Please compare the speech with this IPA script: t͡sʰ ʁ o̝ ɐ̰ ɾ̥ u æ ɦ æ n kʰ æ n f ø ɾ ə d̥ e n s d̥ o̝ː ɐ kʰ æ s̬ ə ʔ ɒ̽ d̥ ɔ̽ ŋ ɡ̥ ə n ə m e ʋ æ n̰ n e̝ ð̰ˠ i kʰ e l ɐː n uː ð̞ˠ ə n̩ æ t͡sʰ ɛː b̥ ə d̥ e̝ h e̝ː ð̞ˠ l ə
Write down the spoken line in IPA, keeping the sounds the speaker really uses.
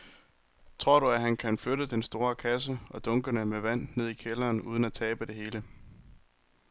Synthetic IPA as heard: t͡sʰ ʁ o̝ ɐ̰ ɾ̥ u æ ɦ æ n kʰ æ n f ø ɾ ə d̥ e n s d̥ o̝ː ɐ kʰ æ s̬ ə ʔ ɒ̽ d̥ ɔ̽ ŋ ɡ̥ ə n ə m e ʋ æ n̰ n e̝ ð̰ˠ i kʰ e l ɐː n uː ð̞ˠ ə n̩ æ t͡sʰ ɛː b̥ ə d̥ e̝ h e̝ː l ə